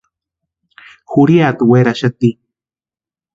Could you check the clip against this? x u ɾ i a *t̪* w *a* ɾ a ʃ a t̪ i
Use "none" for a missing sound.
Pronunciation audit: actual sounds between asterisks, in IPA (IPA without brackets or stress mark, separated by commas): t̪, e